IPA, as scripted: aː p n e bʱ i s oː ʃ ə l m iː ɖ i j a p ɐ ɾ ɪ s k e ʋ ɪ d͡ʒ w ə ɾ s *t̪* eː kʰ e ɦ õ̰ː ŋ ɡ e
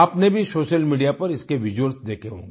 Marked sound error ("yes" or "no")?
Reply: yes